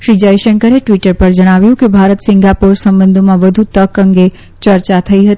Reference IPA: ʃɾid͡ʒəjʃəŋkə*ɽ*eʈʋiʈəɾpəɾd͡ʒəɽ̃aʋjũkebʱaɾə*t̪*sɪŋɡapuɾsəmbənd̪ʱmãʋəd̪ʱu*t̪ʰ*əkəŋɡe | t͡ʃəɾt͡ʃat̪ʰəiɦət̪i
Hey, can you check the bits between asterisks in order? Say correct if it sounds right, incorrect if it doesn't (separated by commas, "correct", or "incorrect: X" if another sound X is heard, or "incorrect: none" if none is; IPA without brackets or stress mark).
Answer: incorrect: ɾ, correct, incorrect: t̪